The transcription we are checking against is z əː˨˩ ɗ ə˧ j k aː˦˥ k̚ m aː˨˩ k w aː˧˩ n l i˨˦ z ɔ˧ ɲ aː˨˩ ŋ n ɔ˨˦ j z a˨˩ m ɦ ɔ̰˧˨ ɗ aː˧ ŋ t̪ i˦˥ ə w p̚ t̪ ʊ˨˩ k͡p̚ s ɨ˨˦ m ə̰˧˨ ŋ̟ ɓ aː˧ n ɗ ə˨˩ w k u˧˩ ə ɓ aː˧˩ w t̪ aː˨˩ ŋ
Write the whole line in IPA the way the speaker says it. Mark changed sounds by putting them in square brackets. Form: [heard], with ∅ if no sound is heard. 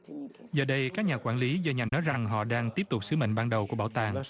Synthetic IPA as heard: z əː˨˩ ɗ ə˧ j k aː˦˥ k̚ [ɲ] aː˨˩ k w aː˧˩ n l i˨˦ z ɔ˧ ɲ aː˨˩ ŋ n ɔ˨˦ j z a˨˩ [ŋ] ɦ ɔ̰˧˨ ɗ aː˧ ŋ t̪ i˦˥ ə [∅] p̚ t̪ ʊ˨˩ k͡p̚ s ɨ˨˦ m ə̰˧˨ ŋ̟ ɓ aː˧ n ɗ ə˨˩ w k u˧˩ ə ɓ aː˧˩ w t̪ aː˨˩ ŋ